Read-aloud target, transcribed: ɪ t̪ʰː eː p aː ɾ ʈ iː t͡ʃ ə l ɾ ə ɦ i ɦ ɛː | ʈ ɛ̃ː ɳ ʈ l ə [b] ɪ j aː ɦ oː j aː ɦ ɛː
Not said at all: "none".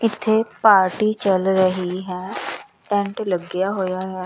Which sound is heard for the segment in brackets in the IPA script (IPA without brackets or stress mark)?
ɡ